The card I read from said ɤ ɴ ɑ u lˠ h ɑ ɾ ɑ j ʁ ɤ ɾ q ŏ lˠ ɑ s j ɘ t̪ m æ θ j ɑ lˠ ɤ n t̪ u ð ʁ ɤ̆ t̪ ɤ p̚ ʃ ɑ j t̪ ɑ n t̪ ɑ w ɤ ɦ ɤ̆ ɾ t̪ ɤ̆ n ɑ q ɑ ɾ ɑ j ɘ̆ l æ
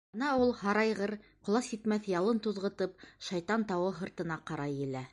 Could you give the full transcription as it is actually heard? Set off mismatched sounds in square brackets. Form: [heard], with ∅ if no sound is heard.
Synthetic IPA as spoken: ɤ [n] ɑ u lˠ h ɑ ɾ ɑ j ʁ ɤ ɾ q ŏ lˠ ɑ s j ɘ t̪ m æ θ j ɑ lˠ ɤ n t̪ u ð ʁ ɤ̆ t̪ ɤ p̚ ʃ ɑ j t̪ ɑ n t̪ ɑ w ɤ ɦ ɤ̆ ɾ t̪ ɤ̆ n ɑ q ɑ ɾ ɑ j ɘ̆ l æ